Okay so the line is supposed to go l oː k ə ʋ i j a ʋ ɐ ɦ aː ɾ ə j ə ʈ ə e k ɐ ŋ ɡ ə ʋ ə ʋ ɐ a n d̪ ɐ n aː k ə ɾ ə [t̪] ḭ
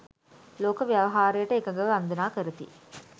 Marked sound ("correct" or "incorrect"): correct